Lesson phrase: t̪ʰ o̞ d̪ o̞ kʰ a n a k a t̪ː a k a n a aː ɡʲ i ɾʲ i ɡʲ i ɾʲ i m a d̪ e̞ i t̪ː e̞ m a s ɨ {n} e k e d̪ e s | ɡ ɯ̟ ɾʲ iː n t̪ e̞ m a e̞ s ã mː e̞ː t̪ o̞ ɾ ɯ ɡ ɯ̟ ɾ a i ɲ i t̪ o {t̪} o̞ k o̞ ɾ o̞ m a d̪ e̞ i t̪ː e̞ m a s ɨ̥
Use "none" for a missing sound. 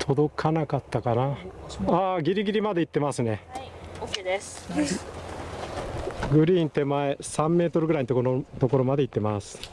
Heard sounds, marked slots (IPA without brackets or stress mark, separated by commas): n, t̪